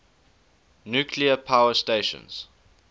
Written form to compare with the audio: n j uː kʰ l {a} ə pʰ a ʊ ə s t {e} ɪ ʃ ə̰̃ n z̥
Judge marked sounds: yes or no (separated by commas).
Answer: no, yes